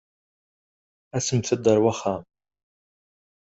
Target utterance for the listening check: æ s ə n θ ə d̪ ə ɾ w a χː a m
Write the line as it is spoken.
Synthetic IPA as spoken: æ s ə m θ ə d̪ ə ɾ w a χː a m